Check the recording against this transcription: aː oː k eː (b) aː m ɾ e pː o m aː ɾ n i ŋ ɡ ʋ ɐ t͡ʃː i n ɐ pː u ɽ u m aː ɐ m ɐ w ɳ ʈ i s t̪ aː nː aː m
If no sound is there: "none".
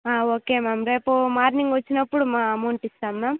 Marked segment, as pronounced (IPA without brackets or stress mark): m